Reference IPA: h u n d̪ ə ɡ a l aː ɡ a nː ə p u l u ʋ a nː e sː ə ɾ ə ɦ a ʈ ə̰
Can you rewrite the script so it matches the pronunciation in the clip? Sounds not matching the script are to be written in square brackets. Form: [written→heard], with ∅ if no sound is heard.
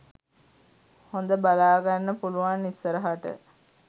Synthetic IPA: h [u→o] n d̪ ə [ɡ→b] a l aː ɡ a nː ə p u l u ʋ a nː [e→i] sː ə ɾ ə ɦ a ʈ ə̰